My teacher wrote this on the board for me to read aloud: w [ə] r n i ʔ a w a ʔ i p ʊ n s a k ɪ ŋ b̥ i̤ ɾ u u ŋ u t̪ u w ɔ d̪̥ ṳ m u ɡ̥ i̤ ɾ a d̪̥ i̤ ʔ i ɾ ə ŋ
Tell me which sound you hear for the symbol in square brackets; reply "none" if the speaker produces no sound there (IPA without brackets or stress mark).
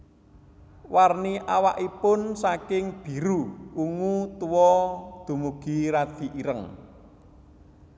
a